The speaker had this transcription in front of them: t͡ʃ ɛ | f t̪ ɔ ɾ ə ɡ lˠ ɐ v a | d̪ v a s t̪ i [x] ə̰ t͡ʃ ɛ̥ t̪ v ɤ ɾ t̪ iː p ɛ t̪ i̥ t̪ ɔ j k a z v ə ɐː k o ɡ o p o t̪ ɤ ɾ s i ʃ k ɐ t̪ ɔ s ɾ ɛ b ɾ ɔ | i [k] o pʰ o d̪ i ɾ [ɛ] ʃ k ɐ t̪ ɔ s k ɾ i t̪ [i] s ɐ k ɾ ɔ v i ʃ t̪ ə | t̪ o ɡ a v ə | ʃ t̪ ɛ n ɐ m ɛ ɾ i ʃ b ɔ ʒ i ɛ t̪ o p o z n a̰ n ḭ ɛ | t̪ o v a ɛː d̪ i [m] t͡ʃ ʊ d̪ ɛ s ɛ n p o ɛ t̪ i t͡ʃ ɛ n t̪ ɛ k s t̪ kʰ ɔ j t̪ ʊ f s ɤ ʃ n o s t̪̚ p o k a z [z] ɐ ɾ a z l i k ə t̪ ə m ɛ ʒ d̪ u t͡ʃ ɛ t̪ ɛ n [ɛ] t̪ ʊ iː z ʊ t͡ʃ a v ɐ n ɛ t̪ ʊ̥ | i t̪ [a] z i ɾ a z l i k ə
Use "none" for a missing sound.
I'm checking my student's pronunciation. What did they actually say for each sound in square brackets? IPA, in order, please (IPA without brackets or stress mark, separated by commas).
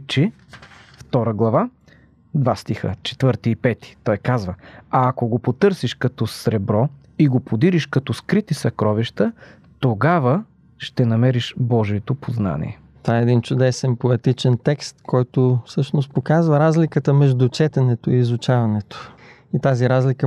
x, ɡ, i, i, n, v, ɛ, a